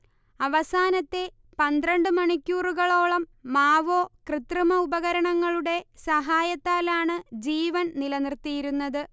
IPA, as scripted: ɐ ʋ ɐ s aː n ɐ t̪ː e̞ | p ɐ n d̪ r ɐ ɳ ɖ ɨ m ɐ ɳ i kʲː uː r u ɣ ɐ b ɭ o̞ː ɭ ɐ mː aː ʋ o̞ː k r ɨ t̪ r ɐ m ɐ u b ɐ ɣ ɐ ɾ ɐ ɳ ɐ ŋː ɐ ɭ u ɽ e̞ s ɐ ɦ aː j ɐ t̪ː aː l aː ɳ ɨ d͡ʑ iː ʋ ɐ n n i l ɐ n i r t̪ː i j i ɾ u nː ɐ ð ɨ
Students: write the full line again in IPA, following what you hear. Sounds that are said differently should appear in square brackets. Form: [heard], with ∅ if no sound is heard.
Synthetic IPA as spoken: ɐ ʋ ɐ s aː n ɐ t̪ː e̞ | p ɐ n d̪ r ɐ ɳ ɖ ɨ m ɐ ɳ i kʲː uː r u ɣ ɐ [∅] ɭ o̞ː ɭ ɐ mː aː ʋ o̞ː k r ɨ t̪ r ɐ m ɐ u b ɐ ɣ ɐ ɾ ɐ ɳ ɐ ŋː ɐ ɭ u ɽ e̞ s ɐ ɦ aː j ɐ t̪ː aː l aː ɳ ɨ d͡ʑ iː ʋ ɐ n n i l ɐ n i r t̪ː i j i ɾ u nː ɐ ð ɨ